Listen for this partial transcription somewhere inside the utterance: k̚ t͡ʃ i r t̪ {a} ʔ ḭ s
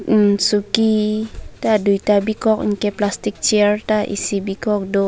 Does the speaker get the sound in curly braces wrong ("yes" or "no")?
no